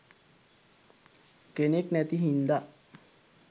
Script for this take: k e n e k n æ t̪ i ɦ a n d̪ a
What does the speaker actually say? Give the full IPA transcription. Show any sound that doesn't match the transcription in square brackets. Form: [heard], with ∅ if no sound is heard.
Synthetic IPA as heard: k e n e k n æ t̪ i ɦ [i] n d̪ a

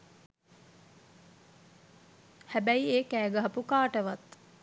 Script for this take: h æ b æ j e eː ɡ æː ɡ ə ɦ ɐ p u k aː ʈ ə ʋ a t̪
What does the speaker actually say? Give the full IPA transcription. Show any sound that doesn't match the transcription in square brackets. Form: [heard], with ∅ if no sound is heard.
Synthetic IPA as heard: h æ b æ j [i] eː [k] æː ɡ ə ɦ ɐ p u k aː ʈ ə ʋ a t̪

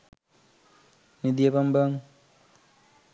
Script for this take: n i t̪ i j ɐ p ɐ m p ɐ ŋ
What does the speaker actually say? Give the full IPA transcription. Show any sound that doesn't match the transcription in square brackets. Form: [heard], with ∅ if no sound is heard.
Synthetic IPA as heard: n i [d̪] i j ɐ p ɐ m [b] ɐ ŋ

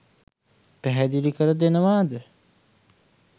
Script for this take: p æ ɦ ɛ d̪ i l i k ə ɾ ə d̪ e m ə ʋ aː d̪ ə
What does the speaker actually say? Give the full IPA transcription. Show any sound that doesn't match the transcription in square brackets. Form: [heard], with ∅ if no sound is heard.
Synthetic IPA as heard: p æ ɦ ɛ d̪ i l i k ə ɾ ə d̪ e [n] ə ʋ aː d̪ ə

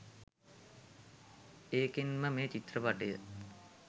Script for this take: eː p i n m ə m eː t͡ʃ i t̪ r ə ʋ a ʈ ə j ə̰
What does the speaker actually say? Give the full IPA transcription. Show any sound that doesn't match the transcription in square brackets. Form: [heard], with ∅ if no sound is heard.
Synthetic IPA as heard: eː [k] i n m ə m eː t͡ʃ i t̪ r ə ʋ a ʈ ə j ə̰

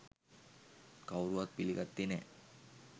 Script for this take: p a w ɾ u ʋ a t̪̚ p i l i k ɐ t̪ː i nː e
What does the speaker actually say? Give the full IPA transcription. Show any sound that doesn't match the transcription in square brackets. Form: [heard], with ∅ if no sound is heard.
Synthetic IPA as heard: [k] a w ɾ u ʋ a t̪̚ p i l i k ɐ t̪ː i [n] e

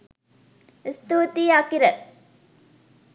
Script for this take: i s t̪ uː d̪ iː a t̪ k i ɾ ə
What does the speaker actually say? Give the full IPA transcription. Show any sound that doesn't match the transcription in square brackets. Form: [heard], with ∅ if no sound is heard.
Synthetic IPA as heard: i s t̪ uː [t̪] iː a [∅] k i ɾ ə

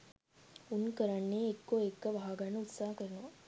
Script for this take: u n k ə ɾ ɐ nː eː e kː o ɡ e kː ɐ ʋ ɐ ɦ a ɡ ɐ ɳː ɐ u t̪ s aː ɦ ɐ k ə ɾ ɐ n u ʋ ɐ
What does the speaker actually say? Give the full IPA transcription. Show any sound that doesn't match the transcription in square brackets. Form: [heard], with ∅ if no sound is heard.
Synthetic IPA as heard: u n k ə ɾ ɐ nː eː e kː o [∅] e kː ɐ ʋ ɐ ɦ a ɡ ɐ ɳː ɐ u t̪ s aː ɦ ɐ k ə ɾ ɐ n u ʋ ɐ

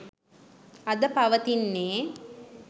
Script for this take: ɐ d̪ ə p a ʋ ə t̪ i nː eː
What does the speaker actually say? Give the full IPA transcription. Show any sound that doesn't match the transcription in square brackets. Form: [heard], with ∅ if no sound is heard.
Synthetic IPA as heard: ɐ d̪ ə p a ʋ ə t̪ i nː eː

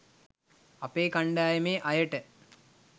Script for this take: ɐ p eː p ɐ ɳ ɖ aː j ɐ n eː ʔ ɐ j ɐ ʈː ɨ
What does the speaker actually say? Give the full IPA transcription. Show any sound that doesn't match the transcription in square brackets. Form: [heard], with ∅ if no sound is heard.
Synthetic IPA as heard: ɐ p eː [k] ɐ ɳ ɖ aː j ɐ [m] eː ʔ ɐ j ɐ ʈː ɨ

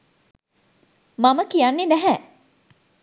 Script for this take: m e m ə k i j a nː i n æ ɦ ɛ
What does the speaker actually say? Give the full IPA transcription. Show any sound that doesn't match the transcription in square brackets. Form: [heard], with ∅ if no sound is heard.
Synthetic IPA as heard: m [a] m ə k i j a nː [e] n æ ɦ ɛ

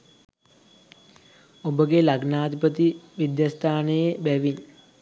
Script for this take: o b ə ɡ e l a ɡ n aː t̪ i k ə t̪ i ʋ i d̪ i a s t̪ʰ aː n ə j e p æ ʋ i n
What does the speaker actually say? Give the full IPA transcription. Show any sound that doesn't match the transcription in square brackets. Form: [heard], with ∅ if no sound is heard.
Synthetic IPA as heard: o b ə ɡ e l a ɡ n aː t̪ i [p] ə t̪ i ʋ i d̪ [j] a s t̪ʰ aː n ə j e [b] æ ʋ i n

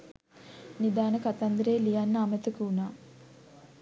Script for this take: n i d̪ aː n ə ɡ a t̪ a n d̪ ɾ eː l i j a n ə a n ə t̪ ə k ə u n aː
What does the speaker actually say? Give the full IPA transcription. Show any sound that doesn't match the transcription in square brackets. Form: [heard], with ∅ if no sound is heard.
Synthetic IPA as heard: n i d̪ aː n ə [k] a t̪ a n d̪ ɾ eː l i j a [nː] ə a [m] ə t̪ ə k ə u n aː

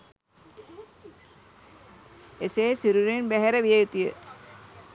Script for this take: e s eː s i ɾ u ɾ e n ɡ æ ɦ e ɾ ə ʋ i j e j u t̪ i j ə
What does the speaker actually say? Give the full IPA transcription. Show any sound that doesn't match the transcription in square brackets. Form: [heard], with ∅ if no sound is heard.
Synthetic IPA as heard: e s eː s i ɾ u ɾ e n [b] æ ɦ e ɾ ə ʋ i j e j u t̪ i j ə

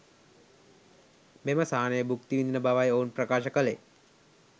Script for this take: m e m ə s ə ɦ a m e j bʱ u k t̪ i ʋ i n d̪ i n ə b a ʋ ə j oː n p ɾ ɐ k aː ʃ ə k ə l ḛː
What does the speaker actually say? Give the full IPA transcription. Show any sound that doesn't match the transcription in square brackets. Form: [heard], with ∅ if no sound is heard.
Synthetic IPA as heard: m e m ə s [a] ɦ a [n] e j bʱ u k t̪ i ʋ i n d̪ i n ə b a ʋ [a] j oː n p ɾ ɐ k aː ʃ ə k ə l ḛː

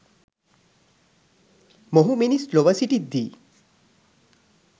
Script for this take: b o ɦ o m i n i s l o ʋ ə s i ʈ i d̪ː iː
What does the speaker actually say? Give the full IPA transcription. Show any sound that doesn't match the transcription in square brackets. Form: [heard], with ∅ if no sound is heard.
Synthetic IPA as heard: [m] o ɦ [u] m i n i s l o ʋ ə s i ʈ i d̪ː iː

